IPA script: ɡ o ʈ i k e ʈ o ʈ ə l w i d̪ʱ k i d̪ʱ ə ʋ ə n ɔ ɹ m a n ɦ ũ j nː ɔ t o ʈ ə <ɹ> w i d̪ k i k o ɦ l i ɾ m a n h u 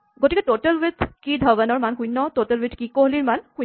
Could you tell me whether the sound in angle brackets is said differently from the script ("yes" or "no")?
yes